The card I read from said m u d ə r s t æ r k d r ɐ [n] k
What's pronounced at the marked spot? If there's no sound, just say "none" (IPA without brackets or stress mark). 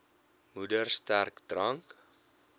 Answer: ŋ